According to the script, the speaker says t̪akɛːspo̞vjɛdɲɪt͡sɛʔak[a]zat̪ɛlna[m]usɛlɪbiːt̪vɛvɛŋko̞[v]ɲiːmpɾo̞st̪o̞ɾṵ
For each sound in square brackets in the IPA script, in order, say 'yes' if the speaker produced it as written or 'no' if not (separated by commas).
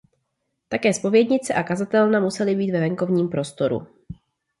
yes, yes, yes